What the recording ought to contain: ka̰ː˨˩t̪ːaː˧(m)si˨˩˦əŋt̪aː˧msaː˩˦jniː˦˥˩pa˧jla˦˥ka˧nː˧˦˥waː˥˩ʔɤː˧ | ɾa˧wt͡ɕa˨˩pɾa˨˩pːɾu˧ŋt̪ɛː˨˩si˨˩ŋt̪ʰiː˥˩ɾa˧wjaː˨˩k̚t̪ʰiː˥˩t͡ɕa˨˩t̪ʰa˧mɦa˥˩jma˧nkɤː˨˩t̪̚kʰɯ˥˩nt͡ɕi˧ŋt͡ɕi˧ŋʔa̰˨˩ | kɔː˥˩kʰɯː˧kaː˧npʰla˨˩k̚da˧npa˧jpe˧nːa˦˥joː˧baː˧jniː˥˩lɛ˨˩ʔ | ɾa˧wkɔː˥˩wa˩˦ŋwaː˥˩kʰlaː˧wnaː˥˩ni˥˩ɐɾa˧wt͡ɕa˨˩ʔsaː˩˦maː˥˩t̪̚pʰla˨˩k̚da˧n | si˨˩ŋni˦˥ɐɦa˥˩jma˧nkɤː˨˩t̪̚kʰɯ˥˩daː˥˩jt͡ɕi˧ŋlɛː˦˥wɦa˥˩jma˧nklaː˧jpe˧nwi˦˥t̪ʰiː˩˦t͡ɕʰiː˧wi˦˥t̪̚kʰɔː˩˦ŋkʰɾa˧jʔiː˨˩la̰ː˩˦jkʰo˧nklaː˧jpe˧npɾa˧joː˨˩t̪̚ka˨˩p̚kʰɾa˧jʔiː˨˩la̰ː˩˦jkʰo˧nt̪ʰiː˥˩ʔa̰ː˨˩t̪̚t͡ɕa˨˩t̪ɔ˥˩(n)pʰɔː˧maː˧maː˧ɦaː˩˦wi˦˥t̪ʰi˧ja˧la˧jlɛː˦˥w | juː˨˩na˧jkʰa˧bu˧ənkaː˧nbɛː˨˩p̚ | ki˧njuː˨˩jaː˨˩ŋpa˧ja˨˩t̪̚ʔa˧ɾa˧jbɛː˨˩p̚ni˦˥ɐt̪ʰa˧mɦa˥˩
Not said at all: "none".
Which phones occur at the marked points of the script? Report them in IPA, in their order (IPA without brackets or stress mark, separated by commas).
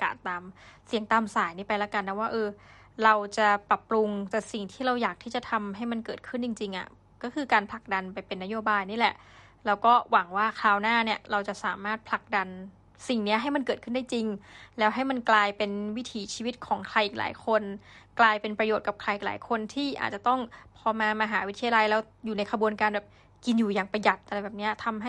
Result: m, ŋ